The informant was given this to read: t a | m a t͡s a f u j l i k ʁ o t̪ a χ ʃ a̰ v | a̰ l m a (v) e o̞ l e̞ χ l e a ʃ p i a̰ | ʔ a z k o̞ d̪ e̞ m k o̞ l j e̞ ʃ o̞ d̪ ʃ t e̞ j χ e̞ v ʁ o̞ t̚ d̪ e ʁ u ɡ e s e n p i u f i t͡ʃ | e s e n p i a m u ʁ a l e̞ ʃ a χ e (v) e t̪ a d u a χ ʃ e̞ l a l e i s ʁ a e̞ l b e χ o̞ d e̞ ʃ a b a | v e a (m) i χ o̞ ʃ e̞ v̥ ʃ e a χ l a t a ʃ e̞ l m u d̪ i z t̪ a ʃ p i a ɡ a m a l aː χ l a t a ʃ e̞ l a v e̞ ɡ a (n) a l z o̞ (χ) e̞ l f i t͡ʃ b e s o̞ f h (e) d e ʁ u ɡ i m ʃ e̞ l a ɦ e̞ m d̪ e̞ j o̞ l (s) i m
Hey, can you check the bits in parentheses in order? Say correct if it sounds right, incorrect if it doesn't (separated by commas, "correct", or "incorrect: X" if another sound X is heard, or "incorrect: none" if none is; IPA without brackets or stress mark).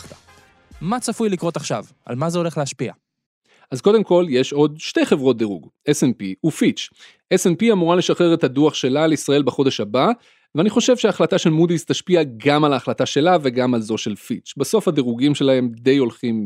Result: incorrect: z, incorrect: ʁ, incorrect: n, incorrect: m, incorrect: ʃ, incorrect: a, incorrect: χ